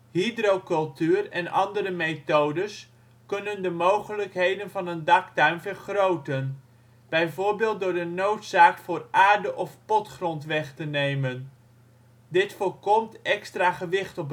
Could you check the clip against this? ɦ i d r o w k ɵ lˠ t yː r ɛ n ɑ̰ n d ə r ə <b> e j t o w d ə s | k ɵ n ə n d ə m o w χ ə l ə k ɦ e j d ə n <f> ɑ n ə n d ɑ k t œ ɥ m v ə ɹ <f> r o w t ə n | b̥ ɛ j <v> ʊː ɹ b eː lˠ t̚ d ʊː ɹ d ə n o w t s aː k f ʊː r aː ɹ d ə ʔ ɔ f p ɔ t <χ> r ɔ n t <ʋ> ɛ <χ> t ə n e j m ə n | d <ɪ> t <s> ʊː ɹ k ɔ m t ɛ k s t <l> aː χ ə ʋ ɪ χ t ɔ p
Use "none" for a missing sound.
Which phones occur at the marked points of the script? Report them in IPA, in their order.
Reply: m, v, χ, v, χ, ʋ, χ, ɪ, f, r

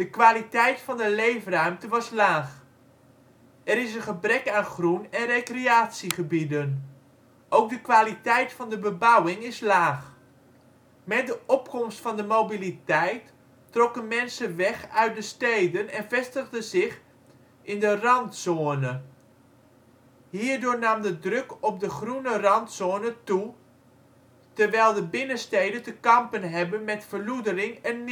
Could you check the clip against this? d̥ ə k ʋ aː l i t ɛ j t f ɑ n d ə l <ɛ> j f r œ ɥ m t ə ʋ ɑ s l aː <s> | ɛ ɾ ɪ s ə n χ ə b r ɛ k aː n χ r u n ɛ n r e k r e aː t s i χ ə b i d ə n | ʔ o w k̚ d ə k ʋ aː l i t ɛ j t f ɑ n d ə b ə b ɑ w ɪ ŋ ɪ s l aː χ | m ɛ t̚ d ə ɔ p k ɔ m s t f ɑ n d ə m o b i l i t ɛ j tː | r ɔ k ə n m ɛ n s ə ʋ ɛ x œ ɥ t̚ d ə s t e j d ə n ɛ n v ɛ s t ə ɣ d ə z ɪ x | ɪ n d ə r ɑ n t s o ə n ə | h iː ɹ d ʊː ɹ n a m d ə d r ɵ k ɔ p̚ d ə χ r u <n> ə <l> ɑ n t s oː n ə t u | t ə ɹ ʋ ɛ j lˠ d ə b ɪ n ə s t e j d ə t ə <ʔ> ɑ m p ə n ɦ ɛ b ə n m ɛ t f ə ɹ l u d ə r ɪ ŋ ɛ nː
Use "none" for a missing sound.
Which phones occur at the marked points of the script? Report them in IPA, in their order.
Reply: e, χ, n, r, k

